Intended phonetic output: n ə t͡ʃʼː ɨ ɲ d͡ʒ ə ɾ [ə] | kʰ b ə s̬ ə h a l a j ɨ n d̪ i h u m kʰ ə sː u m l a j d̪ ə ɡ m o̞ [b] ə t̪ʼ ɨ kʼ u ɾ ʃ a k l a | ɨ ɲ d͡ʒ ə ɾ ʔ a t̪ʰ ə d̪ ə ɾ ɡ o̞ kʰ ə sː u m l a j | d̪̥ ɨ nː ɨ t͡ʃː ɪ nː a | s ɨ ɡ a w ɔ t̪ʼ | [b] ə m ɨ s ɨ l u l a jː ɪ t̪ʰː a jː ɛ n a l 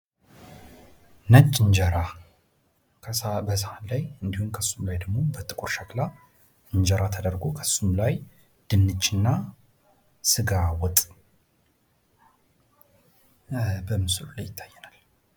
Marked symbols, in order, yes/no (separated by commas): no, yes, yes